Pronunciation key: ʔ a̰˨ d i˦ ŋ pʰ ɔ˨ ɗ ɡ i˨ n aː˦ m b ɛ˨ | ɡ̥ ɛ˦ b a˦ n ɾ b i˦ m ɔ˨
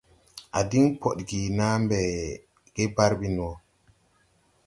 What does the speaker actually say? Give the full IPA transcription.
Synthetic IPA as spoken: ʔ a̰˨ d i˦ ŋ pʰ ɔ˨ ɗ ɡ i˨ n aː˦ m b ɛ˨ | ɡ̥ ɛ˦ b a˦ ɾ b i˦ n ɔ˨